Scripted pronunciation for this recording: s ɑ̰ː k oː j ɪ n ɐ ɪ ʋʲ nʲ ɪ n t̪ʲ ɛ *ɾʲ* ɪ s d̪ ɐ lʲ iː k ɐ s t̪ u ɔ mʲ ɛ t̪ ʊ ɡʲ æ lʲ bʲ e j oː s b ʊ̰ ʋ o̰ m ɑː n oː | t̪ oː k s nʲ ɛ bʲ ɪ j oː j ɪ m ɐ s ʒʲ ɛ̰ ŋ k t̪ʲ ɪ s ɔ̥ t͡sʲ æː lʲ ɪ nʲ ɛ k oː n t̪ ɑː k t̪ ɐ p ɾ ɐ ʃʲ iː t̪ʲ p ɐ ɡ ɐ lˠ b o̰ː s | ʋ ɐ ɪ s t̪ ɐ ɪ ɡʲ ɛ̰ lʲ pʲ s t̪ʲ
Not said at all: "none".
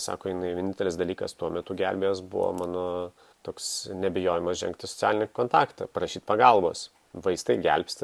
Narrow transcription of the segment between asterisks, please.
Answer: lʲ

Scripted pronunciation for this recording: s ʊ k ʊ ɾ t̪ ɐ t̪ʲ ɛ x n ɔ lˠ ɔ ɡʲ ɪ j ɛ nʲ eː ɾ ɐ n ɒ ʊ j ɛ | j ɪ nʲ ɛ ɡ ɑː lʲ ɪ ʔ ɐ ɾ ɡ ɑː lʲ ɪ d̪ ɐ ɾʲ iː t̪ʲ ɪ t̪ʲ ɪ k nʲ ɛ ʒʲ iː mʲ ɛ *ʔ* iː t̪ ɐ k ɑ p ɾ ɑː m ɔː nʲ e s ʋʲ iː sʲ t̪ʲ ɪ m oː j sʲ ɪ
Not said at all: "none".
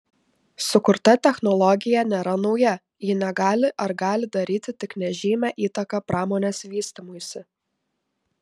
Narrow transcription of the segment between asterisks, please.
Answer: ʔ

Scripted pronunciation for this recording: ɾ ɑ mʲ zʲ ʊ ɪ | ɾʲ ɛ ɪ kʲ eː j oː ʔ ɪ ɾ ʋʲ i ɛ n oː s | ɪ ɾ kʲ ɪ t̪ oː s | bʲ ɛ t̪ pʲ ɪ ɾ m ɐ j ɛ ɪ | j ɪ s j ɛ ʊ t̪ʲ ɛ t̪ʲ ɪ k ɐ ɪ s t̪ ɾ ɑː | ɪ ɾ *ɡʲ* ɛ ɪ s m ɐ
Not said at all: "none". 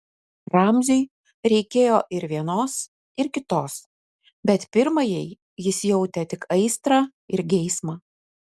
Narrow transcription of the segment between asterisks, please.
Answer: ɡʲ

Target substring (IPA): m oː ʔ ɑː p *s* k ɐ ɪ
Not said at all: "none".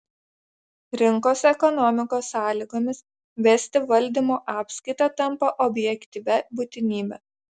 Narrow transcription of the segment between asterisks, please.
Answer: s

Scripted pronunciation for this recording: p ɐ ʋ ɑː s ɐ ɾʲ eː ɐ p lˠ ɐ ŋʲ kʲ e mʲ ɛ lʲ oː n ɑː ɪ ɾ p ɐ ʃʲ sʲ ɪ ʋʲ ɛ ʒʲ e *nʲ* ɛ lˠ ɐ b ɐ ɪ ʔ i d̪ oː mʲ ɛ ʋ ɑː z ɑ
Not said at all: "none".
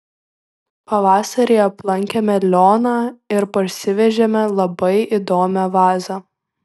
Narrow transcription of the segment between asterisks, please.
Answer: mʲ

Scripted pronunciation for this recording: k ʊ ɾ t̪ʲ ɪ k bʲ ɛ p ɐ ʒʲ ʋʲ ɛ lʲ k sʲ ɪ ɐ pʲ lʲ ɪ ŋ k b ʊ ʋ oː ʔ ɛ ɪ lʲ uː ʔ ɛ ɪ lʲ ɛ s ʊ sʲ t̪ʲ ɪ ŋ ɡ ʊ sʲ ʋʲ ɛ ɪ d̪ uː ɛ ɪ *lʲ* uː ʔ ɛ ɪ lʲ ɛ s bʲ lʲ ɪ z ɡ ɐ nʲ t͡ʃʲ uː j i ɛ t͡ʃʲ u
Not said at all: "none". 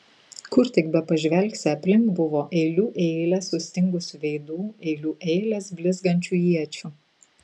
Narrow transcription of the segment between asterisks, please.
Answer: lʲ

